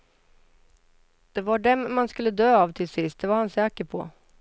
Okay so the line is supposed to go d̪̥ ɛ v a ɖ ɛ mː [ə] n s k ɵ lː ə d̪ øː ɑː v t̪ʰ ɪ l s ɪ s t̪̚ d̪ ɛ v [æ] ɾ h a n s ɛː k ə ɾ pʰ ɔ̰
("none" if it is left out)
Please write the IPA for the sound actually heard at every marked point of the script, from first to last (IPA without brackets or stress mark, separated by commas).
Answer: a, a